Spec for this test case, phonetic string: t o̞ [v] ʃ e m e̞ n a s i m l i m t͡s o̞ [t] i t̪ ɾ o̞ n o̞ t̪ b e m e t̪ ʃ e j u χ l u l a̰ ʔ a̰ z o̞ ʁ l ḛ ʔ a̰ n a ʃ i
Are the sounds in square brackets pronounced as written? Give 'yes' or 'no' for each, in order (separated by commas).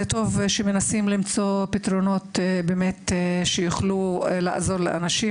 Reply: yes, no